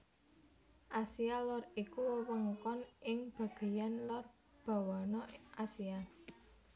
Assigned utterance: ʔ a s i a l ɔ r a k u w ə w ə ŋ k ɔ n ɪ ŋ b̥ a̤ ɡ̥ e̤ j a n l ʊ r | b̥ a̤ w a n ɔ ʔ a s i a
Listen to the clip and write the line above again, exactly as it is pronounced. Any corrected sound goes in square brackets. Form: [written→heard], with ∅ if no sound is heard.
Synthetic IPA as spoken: ʔ a s i a l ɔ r [a→i] k u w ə w ə ŋ k ɔ n ɪ ŋ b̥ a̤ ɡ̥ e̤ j a n l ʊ r | b̥ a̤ w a n ɔ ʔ a s i a

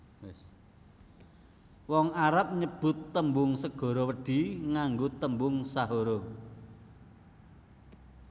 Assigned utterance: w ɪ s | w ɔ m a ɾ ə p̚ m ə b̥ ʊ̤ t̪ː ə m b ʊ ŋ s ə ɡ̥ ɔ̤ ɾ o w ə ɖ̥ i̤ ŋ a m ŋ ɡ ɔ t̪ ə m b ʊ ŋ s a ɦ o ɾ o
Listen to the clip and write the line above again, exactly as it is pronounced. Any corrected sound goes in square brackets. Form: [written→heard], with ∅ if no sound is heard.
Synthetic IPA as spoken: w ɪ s | w ɔ [m→ŋ] a ɾ [ə→a] p̚ [m→ɲ] ə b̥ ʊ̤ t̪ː ə m b ʊ ŋ s ə ɡ̥ ɔ̤ ɾ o w ə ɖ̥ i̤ ŋ a [m→∅] ŋ ɡ [ɔ→o] t̪ ə m b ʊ ŋ s a ɦ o ɾ o

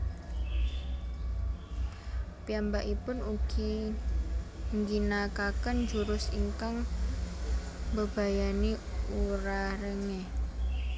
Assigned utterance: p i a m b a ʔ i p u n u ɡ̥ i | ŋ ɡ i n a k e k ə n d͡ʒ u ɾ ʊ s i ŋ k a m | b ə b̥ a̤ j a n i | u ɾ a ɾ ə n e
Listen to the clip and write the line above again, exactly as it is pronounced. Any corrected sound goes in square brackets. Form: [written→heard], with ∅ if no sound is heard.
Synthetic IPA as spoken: p i a m b a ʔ i p [u→ʊ] n u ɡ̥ i | ŋ ɡ i n a k [e→a] k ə n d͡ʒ u ɾ ʊ s i ŋ k a [m→ŋ] | b ə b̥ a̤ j a n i | u ɾ a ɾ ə [n→ŋ] e

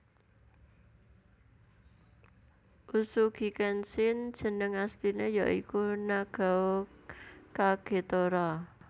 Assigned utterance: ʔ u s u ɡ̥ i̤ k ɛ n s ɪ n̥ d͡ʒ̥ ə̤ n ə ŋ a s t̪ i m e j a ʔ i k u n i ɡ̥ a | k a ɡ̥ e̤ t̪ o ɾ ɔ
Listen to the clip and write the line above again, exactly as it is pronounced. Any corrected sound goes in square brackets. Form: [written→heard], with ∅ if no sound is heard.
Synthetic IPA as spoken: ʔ u s u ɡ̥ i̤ k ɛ n s ɪ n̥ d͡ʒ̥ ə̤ n ə ŋ a s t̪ i [m→n] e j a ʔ i k u n [i→a] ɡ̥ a | k a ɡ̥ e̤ t̪ o ɾ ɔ

